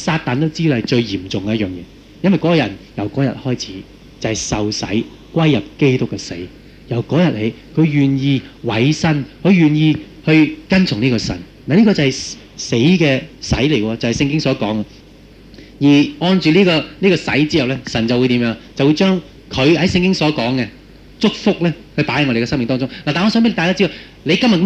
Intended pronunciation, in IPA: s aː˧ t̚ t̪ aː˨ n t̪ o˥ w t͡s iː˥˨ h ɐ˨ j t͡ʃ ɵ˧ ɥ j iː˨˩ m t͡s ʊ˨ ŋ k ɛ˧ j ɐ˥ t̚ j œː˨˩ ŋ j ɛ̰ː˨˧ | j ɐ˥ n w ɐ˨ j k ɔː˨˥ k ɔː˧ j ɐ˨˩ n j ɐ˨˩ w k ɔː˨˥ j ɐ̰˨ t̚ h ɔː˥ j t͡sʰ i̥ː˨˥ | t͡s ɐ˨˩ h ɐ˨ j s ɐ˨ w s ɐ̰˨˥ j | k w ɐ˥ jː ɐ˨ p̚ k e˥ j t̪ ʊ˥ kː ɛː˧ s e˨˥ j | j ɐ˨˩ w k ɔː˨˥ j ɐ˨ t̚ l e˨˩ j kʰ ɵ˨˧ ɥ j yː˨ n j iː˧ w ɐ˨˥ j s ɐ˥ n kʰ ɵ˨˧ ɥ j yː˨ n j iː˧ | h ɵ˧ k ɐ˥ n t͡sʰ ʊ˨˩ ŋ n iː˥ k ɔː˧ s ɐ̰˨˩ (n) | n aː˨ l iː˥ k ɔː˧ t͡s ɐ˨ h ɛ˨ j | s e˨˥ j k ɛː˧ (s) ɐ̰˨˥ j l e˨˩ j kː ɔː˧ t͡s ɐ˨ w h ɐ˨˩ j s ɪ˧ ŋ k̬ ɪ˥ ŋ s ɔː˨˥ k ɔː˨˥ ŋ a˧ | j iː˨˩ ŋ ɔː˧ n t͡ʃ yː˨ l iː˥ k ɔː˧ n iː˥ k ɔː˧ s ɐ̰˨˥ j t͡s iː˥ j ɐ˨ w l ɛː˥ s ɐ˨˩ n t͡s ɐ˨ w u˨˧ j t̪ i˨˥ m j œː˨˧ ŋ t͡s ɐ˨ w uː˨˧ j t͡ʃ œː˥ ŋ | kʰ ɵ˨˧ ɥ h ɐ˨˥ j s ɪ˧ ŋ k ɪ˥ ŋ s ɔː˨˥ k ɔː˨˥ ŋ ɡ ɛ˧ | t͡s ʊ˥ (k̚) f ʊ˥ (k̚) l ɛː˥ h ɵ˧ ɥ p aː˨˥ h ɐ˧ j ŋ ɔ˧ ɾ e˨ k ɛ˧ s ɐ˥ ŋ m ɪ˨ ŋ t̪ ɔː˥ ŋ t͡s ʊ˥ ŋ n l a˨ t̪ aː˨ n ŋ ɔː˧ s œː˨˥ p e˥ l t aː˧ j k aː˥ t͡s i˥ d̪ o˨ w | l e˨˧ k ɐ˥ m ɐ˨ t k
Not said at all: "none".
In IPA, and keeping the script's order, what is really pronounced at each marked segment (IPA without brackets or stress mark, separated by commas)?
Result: n, s, k̚, k̚